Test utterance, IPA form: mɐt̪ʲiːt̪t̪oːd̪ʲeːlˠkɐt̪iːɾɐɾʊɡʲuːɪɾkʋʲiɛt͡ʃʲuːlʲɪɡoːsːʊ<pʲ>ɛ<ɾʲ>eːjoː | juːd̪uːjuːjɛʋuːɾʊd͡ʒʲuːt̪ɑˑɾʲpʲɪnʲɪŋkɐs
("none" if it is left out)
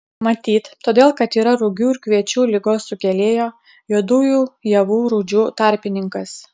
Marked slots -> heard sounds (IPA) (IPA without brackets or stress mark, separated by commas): kʲ, lʲ